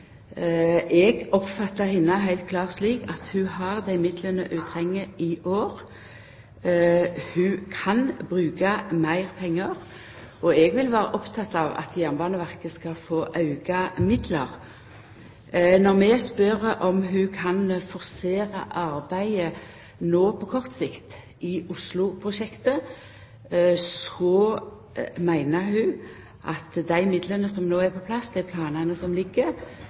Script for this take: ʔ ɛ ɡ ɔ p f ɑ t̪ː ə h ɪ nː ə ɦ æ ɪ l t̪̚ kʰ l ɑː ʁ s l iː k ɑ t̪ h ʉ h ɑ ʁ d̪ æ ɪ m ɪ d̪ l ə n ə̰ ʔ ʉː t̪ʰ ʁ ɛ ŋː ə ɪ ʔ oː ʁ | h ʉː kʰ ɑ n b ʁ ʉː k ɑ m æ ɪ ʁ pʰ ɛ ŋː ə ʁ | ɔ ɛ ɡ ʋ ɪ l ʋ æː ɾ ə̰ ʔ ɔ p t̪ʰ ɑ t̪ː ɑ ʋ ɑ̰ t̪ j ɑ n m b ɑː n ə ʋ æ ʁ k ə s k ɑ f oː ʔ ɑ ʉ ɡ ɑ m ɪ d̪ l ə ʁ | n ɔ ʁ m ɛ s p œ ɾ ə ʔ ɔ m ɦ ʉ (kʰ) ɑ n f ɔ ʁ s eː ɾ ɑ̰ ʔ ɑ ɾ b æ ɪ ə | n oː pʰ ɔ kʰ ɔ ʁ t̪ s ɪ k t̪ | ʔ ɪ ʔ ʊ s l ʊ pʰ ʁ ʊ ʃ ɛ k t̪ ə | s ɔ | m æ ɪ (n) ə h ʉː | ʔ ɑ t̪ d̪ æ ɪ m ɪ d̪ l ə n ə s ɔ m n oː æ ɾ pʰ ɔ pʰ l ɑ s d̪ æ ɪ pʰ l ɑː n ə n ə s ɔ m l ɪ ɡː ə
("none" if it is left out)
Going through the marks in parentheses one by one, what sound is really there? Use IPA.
kʰ, n

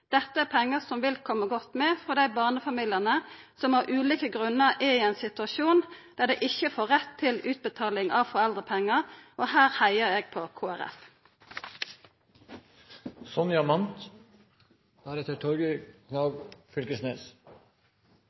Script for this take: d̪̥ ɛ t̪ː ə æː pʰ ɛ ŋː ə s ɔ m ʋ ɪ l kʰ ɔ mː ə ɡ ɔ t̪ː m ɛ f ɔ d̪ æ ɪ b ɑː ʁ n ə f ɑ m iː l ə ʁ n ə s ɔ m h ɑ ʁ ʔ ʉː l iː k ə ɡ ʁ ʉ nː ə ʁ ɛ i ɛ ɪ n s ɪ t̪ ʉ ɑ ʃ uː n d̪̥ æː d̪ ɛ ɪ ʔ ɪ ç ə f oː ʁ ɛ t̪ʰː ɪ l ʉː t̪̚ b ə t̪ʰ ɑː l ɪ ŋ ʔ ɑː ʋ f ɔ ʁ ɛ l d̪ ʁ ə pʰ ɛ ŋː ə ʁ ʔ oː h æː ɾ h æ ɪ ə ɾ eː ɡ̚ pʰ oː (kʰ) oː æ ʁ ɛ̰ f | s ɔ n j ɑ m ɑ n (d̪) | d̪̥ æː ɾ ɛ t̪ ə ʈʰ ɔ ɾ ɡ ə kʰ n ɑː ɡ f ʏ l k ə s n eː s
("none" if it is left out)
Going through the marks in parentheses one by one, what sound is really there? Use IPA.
kʰ, t̪

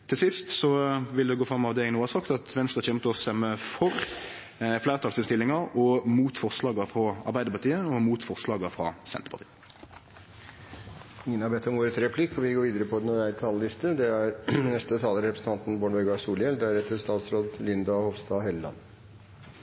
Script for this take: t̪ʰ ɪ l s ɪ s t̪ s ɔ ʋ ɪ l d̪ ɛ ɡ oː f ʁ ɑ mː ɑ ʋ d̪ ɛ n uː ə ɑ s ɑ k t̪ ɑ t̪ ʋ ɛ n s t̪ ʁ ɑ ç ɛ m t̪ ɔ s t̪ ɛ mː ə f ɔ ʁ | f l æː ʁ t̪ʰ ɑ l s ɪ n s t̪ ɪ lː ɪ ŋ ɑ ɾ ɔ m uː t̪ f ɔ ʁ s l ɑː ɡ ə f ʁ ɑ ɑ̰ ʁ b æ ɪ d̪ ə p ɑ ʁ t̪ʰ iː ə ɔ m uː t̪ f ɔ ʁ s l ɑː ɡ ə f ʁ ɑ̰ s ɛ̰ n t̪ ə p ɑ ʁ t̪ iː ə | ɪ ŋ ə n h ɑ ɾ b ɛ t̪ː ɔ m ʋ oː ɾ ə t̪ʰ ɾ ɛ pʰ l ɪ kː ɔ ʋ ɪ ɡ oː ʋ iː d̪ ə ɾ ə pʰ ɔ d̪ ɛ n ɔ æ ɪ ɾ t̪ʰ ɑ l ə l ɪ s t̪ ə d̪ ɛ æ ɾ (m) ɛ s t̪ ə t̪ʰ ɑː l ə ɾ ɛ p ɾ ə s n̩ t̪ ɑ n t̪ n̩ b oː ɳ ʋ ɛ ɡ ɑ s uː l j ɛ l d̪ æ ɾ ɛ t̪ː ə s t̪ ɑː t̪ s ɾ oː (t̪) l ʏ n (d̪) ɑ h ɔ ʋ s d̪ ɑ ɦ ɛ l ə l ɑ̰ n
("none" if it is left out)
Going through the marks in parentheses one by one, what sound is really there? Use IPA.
n, d̪, d̪

